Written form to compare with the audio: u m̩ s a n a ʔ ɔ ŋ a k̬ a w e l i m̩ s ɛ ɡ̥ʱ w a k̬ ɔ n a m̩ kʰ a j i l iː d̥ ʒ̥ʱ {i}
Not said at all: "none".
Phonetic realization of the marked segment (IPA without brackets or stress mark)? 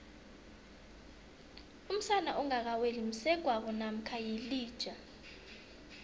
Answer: a